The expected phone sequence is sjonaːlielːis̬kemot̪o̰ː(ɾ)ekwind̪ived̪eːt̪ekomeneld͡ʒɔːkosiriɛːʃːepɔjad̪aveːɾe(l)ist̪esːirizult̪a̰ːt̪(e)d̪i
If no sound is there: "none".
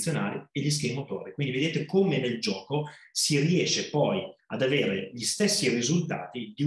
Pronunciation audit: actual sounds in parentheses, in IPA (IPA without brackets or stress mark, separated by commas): ɾ, ʎ, i